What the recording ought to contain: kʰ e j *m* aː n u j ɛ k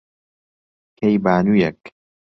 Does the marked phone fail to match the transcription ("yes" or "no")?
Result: yes